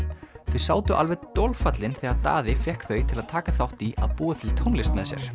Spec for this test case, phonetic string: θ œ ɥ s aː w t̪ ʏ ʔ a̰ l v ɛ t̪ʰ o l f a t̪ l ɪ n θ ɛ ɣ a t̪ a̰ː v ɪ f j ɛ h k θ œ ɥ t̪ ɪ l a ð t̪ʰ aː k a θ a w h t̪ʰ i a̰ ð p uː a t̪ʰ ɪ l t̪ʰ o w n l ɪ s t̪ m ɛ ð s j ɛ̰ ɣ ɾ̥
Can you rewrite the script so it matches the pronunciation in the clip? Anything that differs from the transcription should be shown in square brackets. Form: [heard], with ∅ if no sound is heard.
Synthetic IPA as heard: θ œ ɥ s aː w t̪ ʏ ʔ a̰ l v ɛ [t̪] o l f a t̪ l ɪ n θ ɛ ɣ a t̪ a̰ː [ð] ɪ f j ɛ h k θ œ ɥ [t̪ʰ] ɪ l a ð t̪ʰ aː k a θ a w h [t̪] i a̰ ð p uː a t̪ʰ ɪ l t̪ʰ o w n l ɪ s t̪ m ɛ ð s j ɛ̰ [∅] ɾ̥